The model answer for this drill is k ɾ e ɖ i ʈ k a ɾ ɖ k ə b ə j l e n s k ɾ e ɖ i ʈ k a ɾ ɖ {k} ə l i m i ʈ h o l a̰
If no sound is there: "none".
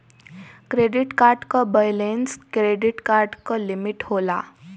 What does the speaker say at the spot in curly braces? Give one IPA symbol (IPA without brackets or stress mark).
k